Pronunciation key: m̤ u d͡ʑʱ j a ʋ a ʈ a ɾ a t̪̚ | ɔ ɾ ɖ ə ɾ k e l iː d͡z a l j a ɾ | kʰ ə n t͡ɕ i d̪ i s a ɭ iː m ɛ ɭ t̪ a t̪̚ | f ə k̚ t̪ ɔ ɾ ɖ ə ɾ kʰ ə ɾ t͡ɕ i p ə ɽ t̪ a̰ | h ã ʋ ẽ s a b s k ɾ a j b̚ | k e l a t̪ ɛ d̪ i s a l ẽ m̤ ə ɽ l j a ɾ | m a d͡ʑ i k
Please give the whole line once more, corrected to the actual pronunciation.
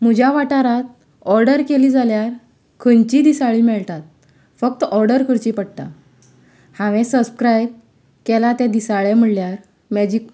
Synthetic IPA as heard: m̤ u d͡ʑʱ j a ʋ a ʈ a ɾ a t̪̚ | ɔ ɾ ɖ ə ɾ k e l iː d͡z a l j a ɾ | kʰ ə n t͡ɕ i d̪ i s a ɭ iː m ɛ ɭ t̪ a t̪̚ | f ə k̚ t̪ ɔ ɾ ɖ ə ɾ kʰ ə ɾ t͡ɕ i p ə ɽ t̪ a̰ | h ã ʋ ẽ s ə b s k ɾ a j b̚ | k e l a t̪ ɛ d̪ i s a ɭ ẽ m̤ ə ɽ l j a ɾ | m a d͡ʑ i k